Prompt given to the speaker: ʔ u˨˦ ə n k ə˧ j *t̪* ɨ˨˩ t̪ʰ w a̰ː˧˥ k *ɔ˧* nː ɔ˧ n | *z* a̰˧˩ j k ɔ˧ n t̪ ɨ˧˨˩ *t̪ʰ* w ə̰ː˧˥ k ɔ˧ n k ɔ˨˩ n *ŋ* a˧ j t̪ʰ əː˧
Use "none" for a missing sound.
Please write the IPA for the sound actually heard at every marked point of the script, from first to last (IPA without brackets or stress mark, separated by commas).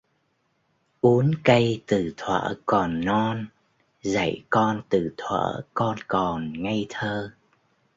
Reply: t̪, ɔ˨˩, z, t̪ʰ, ŋ